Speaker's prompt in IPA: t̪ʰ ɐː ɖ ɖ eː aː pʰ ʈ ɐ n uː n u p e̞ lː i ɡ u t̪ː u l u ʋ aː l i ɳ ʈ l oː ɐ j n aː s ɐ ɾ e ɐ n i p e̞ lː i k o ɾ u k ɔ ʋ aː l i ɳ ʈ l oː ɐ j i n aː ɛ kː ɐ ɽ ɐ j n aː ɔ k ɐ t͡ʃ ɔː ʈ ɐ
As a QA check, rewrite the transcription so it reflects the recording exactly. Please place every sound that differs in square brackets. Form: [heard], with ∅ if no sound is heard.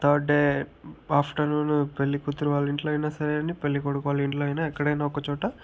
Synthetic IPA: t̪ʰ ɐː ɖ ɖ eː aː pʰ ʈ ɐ n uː n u p e̞ lː i [k] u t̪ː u [ɾ] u ʋ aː l i ɳ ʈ l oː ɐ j n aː s ɐ ɾ e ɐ n i p e̞ lː i k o [ɽ] u k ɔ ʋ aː l i ɳ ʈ l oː ɐ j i n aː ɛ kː ɐ ɽ ɐ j n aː ɔ k ɐ t͡ʃ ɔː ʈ ɐ